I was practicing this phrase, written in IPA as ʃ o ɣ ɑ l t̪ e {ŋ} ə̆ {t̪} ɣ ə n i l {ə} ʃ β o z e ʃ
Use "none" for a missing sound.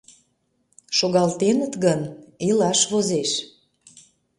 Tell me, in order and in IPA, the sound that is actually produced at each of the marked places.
n, t̪, ɑ

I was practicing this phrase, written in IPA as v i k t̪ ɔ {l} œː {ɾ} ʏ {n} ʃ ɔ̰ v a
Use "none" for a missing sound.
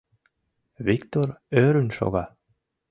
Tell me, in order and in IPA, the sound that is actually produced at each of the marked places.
ɾ, ɾ, n

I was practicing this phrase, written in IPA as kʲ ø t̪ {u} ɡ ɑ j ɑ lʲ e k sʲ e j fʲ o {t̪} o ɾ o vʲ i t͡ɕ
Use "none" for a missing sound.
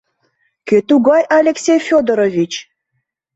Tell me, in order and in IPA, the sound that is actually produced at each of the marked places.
u, d̪

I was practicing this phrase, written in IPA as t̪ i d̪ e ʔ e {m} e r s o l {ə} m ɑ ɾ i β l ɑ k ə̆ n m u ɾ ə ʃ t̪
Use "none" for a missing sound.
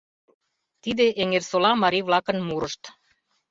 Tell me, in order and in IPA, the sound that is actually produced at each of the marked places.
ŋ, ɑ

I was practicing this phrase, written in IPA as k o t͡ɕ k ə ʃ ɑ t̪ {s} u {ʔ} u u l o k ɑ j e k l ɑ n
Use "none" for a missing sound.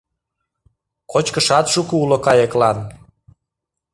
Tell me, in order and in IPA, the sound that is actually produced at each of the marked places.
ʃ, k

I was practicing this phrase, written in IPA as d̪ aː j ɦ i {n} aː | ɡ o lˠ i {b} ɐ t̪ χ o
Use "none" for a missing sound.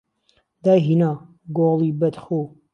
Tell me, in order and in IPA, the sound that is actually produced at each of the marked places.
n, b

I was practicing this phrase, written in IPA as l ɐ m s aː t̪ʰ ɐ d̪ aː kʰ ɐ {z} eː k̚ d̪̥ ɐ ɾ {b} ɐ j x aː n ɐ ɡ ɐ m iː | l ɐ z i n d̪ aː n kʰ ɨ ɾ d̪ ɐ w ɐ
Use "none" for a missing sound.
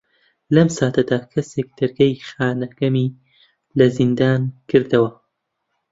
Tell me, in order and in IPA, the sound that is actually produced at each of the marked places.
s, ɡ

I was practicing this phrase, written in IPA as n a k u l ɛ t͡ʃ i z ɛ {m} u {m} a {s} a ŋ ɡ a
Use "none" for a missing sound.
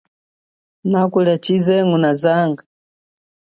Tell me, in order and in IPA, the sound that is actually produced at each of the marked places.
ŋ, n, z

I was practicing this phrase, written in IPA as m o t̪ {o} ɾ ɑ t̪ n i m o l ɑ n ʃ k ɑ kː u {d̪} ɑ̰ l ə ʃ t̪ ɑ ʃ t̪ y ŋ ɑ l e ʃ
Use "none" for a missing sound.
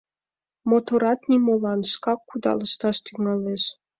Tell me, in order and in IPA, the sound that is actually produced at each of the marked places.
o, d̪

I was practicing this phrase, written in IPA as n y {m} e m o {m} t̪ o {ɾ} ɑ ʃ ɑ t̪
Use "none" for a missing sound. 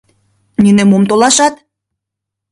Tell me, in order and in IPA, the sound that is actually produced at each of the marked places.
n, m, l

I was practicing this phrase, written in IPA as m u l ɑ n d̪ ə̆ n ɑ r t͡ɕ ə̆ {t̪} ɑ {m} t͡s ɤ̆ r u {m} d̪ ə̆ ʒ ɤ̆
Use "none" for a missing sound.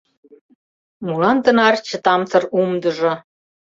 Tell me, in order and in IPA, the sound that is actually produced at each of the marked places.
t̪, m, m

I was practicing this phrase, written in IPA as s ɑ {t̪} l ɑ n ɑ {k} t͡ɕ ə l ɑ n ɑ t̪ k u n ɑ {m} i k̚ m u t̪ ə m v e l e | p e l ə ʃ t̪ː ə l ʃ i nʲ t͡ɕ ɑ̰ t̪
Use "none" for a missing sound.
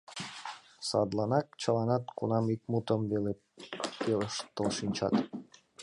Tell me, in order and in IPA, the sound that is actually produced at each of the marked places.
d̪, k, m

